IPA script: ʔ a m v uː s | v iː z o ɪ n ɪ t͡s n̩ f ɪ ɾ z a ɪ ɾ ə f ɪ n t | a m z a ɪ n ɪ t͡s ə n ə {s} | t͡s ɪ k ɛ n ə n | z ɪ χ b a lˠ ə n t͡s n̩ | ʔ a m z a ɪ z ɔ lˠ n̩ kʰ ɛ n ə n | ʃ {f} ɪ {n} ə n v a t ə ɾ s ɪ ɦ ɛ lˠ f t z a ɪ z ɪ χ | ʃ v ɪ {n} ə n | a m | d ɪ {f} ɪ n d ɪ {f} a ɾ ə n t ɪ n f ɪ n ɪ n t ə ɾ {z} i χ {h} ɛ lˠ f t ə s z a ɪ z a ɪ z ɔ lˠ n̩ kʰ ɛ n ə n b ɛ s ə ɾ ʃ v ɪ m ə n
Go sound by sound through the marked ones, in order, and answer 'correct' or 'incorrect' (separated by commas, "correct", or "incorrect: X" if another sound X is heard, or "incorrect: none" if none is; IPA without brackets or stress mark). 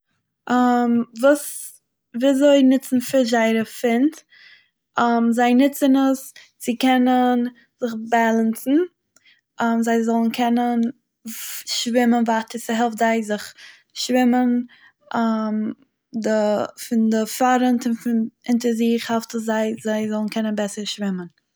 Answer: correct, incorrect: v, incorrect: m, incorrect: m, correct, correct, correct, correct